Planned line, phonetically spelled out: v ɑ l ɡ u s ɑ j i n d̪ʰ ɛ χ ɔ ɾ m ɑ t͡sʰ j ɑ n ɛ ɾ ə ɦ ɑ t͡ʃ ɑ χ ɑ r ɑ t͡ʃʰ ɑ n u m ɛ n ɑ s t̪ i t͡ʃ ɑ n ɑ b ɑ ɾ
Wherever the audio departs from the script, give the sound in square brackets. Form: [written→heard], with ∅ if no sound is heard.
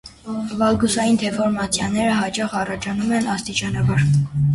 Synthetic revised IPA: v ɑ l ɡ u s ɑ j i n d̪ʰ ɛ [χ→f] ɔ ɾ m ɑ t͡sʰ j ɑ n ɛ ɾ ə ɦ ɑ t͡ʃ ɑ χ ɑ r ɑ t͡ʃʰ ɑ n u m ɛ n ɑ s t̪ i t͡ʃ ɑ n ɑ b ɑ ɾ